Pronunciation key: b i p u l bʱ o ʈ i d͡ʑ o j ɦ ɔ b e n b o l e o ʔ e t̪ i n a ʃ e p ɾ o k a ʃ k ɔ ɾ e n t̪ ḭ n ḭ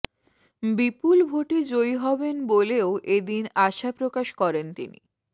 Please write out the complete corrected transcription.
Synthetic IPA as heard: b i p u l bʱ o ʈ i d͡ʑ o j ɦ ɔ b e n b o l e o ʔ e d̪ i n a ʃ a p ɾ o k a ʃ k ɔ ɾ e n t̪ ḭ n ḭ